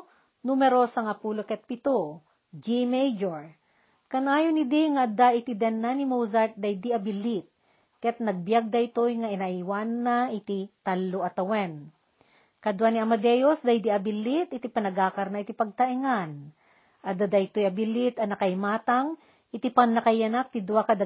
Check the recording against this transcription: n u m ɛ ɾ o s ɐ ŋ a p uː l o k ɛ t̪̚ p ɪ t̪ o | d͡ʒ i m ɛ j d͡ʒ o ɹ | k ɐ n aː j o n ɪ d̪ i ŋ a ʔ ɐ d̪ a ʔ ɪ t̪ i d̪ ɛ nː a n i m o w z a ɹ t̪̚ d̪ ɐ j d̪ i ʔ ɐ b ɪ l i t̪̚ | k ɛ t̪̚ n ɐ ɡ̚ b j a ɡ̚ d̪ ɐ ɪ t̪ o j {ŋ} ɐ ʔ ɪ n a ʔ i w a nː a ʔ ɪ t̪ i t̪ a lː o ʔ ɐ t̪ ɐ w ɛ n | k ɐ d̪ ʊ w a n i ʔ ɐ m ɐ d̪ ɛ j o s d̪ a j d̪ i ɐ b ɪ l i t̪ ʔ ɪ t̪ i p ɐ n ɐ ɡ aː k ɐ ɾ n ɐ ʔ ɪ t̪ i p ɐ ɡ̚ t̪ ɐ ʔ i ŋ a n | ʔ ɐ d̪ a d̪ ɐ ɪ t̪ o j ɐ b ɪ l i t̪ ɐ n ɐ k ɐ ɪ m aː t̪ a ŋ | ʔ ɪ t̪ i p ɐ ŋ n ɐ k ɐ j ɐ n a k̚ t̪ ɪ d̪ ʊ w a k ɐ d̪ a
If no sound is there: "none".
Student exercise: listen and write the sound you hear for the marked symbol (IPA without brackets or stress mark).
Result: ŋ